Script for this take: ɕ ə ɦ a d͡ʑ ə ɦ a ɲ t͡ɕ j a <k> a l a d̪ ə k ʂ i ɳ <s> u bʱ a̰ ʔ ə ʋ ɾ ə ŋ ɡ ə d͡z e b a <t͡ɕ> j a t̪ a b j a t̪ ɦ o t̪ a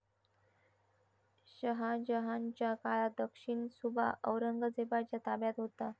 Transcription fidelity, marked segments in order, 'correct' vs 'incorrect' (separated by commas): correct, correct, correct